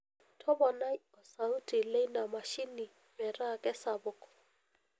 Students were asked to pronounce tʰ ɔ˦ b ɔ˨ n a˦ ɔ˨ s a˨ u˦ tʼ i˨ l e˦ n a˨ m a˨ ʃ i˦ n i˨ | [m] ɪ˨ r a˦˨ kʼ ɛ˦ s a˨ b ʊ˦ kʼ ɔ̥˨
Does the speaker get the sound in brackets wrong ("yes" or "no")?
no